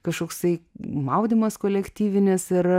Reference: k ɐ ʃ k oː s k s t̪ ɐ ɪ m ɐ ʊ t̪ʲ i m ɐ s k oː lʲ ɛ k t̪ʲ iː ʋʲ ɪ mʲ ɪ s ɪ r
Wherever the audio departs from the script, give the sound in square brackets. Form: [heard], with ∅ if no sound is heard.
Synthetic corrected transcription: k ɐ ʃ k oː [∅] k s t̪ ɐ ɪ m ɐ ʊ [d̪ʲ] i m ɐ s k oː lʲ ɛ k t̪ʲ iː ʋʲ ɪ [nʲ] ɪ s ɪ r